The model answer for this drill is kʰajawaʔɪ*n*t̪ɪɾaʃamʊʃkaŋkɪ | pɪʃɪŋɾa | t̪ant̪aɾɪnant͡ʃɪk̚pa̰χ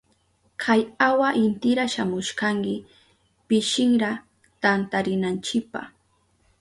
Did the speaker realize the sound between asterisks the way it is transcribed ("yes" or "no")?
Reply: yes